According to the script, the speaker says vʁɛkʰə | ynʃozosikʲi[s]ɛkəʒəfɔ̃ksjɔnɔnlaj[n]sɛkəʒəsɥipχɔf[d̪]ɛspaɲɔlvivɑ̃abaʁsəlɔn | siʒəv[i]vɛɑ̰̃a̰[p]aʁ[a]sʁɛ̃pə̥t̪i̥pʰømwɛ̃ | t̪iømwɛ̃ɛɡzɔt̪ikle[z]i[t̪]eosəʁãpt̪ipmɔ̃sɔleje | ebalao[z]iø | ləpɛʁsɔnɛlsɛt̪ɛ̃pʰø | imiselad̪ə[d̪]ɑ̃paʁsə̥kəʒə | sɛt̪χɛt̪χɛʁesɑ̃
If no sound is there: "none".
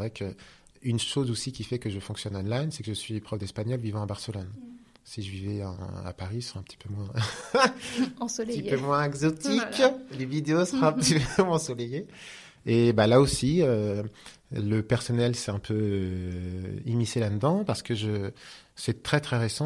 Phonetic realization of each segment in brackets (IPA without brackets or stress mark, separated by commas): f, n, d̪, i, p, i, v, d̪, s, d̪